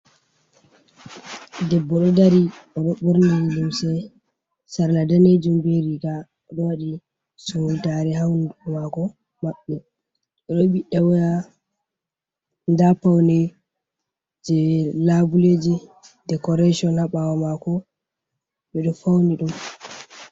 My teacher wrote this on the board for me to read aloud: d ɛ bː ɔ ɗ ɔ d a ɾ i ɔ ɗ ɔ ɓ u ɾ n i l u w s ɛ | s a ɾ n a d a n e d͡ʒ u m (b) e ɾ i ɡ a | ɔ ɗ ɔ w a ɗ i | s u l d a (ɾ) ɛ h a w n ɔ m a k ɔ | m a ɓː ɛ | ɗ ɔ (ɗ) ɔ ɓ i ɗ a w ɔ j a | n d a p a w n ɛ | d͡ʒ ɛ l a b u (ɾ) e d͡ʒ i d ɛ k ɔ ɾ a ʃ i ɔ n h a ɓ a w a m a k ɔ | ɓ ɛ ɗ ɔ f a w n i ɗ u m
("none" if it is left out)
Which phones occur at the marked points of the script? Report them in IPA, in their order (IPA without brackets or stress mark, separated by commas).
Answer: b, ɾ, ɗ, l